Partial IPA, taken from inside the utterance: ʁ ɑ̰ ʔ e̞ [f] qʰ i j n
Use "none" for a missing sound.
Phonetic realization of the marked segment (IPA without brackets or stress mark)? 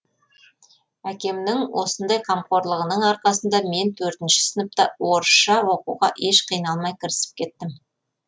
ʃ